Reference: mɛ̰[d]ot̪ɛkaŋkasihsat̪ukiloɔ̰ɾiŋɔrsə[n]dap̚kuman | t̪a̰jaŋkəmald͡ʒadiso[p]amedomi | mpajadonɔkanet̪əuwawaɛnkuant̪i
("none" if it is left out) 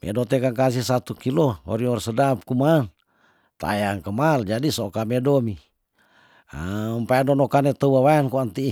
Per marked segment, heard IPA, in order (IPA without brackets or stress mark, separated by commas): d, none, k